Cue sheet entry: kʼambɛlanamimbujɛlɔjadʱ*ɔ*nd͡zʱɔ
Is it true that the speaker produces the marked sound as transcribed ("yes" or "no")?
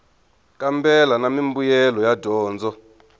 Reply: no